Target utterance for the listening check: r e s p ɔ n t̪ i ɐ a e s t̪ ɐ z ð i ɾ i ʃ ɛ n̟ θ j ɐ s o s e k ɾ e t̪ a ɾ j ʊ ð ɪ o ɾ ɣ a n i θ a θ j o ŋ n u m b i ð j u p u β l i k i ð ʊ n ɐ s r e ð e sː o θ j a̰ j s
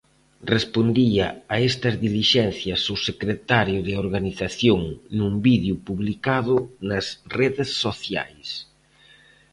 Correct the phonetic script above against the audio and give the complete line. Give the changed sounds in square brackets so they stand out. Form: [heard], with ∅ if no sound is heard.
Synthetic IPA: r e s p [o] n [d̪] i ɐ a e s t̪ ɐ z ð i [l] i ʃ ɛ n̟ θ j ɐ s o s e k ɾ e t̪ a ɾ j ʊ ð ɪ o ɾ ɣ a n i θ a θ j o ŋ n u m b i ð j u p u β l i k [a] ð ʊ n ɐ s r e ð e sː o θ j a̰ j s